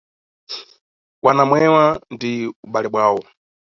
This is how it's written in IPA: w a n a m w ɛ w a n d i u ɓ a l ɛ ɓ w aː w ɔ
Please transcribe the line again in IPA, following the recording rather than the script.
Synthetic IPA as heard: w a n a m w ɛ w a n d i u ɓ a l ɛ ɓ w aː w ɔ